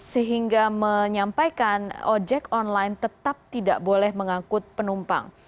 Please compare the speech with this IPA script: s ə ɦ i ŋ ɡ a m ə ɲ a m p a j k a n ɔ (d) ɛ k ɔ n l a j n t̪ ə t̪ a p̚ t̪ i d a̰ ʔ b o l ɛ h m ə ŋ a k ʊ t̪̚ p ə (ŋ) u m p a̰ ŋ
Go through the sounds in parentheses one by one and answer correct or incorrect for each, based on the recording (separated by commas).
incorrect, incorrect